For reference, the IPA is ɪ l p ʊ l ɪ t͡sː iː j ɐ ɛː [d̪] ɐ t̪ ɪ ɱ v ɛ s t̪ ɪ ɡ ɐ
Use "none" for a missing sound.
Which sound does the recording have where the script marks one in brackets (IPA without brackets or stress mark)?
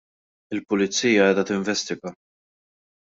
d̪